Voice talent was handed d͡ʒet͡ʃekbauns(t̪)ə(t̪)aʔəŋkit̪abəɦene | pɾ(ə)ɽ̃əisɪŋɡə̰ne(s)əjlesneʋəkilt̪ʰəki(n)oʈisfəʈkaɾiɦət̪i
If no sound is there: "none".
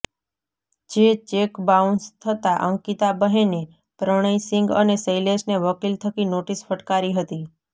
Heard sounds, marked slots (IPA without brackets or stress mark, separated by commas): t̪ʰ, t̪, ə, s, n